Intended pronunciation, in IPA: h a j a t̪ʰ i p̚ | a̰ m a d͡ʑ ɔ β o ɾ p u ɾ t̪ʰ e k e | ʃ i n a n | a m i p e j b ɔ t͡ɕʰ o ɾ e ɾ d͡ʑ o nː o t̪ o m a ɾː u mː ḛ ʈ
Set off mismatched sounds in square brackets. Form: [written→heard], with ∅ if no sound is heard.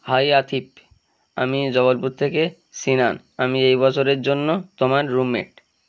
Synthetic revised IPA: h a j a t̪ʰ i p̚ | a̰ m [a→i] d͡ʑ ɔ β o [ɾ→l] p u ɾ t̪ʰ e k e | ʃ i n a n | a m i [p→∅] e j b ɔ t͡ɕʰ o ɾ e ɾ d͡ʑ o nː o t̪ o m a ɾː u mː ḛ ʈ